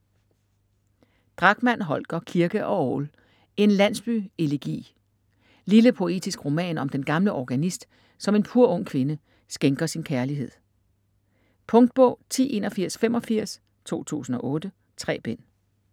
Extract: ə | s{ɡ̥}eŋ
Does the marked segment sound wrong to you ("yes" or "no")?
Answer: no